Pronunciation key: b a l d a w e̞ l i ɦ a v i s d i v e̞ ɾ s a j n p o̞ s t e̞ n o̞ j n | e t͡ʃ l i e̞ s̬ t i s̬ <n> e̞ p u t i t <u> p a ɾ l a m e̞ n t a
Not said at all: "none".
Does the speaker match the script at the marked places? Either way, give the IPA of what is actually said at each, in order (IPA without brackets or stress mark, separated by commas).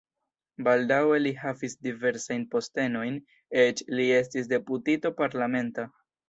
d, o